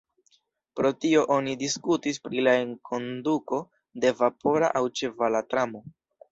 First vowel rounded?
yes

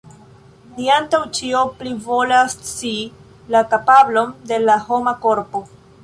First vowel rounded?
no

